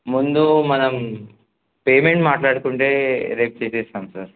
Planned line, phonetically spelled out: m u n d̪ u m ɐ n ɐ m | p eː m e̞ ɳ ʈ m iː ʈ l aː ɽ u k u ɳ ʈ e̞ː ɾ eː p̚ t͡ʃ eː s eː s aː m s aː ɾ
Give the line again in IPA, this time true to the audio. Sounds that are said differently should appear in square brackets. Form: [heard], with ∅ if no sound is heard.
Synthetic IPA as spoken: m u n d̪ u m ɐ n ɐ m | p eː m e̞ ɳ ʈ m [aː] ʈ l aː ɽ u k u ɳ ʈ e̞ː ɾ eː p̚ t͡ʃ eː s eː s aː m s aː ɾ